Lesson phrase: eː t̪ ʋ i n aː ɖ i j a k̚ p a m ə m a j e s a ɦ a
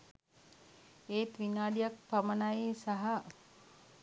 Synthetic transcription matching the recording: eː t̪ ʋ i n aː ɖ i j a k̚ p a m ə n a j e s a ɦ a